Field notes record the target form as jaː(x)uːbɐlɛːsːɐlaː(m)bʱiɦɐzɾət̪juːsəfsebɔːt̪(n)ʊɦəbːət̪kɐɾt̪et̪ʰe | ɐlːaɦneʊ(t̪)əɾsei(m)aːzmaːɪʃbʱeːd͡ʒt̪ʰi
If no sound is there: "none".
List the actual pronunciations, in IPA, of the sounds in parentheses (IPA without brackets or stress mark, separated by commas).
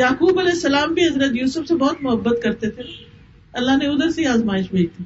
k, m, m, d̪, none